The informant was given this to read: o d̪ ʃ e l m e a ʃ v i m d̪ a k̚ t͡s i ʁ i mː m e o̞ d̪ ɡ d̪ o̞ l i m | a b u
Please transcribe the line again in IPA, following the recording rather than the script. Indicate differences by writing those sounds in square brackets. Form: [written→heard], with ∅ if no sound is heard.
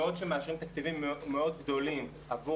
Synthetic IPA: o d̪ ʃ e [l→∅] m e a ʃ [v→ʁ] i m [d̪→t̪] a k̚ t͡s i [ʁ→v] i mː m e o̞ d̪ ɡ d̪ o̞ l i m | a [b→v] u

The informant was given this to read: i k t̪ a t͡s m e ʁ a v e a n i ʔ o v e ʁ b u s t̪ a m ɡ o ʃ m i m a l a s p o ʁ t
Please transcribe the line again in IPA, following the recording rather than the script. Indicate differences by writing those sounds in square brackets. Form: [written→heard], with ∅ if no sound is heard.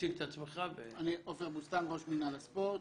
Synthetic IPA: i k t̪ a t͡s m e [ʁ→χ] a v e a n i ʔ o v e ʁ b u s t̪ a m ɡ o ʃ m i [m→n] a l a s p o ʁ t

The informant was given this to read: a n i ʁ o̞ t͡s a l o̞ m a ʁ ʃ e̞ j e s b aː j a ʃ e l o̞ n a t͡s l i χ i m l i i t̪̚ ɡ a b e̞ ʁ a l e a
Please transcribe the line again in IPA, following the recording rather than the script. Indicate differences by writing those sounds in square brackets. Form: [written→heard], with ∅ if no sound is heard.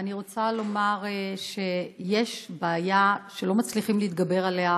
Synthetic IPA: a n i ʁ o̞ t͡s a l o̞ m a ʁ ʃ e̞ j e [s→ʃ] b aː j a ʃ e l o̞ [n→m] a t͡s l i χ i m l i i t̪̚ ɡ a b e̞ ʁ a l e a

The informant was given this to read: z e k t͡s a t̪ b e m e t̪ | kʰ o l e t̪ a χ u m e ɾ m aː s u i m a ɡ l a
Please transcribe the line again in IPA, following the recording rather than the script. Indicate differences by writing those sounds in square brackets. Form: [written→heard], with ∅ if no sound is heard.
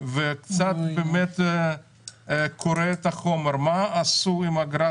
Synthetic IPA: [z→v] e k t͡s a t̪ b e m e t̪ | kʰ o [l→ɾ] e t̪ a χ [u→o] m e ɾ m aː s u i m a ɡ [l→ɾ] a

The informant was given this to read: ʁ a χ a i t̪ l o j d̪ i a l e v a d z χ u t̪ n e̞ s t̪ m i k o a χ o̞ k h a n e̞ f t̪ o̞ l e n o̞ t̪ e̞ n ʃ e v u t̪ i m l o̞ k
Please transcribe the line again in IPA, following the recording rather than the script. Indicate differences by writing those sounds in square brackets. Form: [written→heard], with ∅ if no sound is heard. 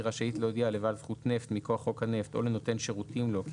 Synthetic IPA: ʁ a [χ→ʃ] a i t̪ l o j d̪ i a l e v a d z χ u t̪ n e̞ [s→f] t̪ m i k o a χ o̞ k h a n e̞ f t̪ o̞ l e n o̞ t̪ e̞ n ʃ e [v→ʁ] u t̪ i m l o̞ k

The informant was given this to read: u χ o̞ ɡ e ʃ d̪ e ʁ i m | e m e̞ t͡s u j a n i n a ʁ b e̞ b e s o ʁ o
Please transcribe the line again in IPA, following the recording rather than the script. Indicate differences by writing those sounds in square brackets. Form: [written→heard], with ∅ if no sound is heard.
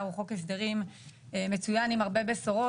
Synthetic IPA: u χ o̞ [ɡ→k] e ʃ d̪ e ʁ i m | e m e̞ t͡s u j a n i [n→m] a ʁ b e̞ b e s o ʁ o

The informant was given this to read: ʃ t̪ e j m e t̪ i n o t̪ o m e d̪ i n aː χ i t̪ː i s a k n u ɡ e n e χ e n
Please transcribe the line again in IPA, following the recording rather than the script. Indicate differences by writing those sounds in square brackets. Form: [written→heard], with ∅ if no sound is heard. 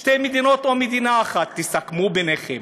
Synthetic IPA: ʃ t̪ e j m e [t̪→d̪] i n o t̪ o m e d̪ i n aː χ [i→a] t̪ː i s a k [n→m] u [ɡ→b] e n e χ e [n→m]

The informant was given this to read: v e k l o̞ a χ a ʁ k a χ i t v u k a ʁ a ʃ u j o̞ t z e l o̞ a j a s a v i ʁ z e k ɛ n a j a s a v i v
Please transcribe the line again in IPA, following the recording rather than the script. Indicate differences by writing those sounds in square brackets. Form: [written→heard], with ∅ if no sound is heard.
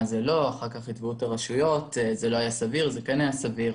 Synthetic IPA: [v→z] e [k→∅] l o̞ a χ a ʁ k a χ i t v u [k→t] a ʁ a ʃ u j o̞ t z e l o̞ a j a s a v i ʁ z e k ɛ n a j a s a v i [v→ʁ]

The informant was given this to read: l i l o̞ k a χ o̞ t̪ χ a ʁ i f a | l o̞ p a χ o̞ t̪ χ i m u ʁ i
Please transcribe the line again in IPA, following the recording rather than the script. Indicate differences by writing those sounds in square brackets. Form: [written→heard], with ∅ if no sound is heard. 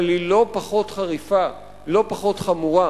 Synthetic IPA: l i l o̞ [k→p] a χ o̞ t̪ χ a ʁ i f a | l o̞ p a χ o̞ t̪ χ [i→a] m u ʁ [i→a]

